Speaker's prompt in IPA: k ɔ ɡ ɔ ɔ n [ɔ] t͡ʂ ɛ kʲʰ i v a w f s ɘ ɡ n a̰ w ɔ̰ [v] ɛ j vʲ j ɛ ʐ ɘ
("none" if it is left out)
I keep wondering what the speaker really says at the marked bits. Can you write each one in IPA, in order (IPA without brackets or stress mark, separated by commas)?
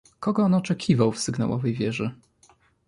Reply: ɔ, v